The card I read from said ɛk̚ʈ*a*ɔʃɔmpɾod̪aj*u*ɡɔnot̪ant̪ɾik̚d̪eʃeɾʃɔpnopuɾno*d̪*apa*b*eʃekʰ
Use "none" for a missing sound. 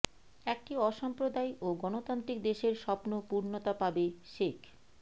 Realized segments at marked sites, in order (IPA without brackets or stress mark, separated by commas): i, o, t̪, b